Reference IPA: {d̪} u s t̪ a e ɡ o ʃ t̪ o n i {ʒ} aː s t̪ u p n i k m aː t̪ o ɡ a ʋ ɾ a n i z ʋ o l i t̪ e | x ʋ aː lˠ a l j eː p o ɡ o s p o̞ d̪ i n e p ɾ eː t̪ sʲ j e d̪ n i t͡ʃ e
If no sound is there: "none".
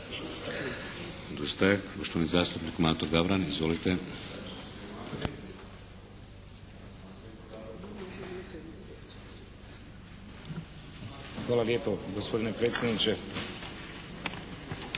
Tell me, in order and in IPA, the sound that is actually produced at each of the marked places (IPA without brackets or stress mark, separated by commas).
d̪, z